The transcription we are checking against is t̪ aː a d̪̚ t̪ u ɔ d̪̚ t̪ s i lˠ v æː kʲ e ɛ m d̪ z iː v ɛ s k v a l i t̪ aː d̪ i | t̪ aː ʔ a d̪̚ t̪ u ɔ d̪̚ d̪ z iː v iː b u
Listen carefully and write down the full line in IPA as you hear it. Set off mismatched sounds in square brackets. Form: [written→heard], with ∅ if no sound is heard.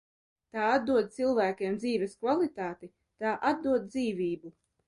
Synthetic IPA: t̪ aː a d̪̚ [t̪→d̪] u ɔ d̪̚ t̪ s i lˠ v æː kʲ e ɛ m d̪ z iː v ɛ s k v a l i t̪ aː [d̪→t̪] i | t̪ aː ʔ a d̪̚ [t̪→d̪] u ɔ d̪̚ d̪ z iː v iː b u